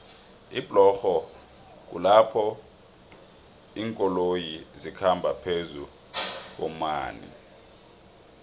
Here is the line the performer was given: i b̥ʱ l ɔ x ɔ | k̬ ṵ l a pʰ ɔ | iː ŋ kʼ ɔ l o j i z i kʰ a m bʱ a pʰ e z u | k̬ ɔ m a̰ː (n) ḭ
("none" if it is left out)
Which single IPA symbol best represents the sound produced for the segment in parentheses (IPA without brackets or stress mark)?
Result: n